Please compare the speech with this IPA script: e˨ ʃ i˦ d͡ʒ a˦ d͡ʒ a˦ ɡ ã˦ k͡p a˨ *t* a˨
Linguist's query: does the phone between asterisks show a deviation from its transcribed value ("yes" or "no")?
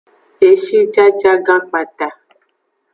no